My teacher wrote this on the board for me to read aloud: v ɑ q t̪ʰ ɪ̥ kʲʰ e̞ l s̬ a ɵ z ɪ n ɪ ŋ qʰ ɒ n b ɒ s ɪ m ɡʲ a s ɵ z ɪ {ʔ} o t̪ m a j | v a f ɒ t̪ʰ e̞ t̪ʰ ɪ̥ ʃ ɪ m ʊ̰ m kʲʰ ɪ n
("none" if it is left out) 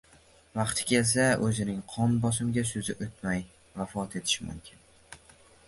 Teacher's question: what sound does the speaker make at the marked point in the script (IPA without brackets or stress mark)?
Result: ʔ